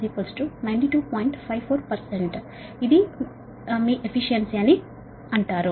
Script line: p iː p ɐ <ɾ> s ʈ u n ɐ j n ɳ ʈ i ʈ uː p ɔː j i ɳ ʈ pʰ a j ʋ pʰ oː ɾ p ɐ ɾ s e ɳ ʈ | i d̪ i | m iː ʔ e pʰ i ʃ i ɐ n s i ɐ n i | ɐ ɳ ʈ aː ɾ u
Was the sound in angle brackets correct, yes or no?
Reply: no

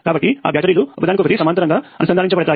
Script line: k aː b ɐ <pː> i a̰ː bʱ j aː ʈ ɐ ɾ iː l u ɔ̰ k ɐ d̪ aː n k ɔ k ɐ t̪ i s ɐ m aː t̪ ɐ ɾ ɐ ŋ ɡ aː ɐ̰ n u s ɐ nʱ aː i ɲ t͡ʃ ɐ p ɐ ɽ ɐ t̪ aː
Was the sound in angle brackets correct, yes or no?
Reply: no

